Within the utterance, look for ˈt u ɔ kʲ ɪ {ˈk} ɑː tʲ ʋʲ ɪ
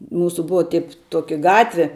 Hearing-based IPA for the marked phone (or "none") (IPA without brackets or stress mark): ɡ